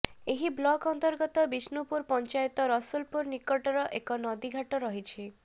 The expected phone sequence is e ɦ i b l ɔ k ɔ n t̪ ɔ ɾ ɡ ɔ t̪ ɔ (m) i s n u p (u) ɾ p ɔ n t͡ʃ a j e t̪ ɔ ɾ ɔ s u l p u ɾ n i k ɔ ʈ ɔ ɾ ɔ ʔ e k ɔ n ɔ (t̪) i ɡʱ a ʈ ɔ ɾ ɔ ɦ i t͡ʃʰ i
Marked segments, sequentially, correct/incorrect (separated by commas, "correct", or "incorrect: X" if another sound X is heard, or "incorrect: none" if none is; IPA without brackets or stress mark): incorrect: b, correct, incorrect: d̪